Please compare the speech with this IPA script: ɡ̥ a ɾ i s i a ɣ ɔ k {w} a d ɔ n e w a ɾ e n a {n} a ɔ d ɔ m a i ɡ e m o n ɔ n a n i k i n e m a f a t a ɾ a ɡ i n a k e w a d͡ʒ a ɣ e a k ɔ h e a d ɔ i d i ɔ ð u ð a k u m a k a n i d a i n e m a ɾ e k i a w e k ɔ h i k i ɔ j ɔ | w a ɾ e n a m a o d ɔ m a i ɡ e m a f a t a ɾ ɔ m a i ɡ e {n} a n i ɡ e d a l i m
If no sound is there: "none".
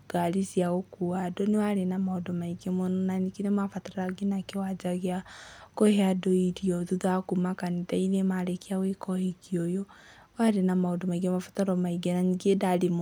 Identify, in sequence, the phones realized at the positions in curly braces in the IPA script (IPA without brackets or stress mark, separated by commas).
u, m, n